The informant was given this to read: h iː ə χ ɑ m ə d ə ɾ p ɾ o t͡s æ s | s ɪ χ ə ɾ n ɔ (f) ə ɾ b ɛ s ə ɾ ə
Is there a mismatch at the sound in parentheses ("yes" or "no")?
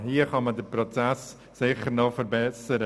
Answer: no